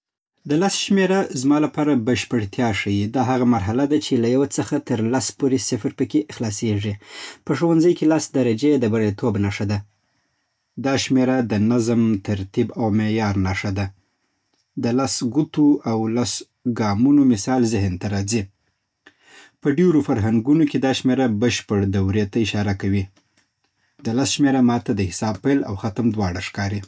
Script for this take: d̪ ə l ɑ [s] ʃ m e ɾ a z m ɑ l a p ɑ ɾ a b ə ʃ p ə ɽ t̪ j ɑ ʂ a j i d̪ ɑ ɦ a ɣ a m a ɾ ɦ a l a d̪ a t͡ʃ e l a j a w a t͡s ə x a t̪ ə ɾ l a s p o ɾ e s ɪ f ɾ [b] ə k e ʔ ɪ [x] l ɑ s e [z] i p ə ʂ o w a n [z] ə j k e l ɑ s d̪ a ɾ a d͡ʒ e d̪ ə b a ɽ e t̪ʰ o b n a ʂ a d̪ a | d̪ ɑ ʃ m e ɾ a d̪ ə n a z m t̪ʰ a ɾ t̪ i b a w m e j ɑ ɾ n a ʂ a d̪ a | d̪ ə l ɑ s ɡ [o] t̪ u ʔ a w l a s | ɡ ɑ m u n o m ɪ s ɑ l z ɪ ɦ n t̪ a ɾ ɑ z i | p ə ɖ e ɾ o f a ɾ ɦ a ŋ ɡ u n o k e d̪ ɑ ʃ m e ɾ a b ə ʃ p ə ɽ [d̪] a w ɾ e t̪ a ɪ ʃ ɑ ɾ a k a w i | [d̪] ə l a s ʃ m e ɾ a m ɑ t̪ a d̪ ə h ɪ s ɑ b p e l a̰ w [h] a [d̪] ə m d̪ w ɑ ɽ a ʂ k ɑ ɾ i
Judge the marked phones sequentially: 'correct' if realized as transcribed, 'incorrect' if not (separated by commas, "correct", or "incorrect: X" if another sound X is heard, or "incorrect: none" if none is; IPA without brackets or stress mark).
correct, incorrect: p, correct, incorrect: ʐ, correct, incorrect: u, correct, correct, incorrect: x, incorrect: t̪